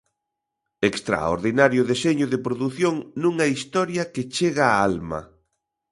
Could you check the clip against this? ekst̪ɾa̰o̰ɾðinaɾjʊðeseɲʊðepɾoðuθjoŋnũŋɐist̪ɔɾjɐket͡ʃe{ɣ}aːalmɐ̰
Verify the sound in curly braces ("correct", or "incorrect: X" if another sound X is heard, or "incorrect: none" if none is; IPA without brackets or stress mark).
correct